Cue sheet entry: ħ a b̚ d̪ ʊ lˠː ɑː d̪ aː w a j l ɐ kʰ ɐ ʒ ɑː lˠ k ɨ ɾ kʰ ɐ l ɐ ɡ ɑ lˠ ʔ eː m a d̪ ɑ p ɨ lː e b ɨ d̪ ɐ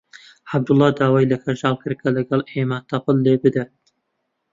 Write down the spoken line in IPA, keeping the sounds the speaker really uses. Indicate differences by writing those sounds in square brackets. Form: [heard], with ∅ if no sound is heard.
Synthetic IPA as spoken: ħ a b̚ d̪ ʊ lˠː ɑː d̪ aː w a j l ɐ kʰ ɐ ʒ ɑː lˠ k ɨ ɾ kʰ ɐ l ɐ ɡ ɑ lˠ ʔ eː m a [t̪] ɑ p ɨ lː e b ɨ d̪ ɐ